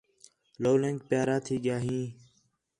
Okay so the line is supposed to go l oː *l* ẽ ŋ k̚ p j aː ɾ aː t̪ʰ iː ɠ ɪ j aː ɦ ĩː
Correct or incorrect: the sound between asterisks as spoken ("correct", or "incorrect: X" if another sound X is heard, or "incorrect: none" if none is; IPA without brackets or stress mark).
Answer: correct